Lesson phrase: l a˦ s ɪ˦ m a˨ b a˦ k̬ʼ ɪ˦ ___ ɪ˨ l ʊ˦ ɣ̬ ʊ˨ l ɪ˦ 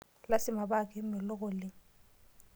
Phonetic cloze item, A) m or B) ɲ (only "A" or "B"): A